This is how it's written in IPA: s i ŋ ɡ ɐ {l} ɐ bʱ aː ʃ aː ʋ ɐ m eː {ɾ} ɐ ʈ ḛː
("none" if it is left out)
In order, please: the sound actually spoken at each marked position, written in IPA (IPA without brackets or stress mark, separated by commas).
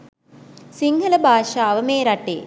l, ɾ